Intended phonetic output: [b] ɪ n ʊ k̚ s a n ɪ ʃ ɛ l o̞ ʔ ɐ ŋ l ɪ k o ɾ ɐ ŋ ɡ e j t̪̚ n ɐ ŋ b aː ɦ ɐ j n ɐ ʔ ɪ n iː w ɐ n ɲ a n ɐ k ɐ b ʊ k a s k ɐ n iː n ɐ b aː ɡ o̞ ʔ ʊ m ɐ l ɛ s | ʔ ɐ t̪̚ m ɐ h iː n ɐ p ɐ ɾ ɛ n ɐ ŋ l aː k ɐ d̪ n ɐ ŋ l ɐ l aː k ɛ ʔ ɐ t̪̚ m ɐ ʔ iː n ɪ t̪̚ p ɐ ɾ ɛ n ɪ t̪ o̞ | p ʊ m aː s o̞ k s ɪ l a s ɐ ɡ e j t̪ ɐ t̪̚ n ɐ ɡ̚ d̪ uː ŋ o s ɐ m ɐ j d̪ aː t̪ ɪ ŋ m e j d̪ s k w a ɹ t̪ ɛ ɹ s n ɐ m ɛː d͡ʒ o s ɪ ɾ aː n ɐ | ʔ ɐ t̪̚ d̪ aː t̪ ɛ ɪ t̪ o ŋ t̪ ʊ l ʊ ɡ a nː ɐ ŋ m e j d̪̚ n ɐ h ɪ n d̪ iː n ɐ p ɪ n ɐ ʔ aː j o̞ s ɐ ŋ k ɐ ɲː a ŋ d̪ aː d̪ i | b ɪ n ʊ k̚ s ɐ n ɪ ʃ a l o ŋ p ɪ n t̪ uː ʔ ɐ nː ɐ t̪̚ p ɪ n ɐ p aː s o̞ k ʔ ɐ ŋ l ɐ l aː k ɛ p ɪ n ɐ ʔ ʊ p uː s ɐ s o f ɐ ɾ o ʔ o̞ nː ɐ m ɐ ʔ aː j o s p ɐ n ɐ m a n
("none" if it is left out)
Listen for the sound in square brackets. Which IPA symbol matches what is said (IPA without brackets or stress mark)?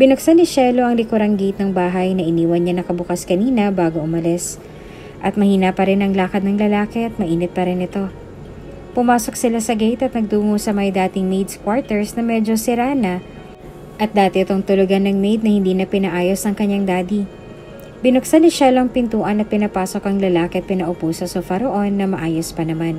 b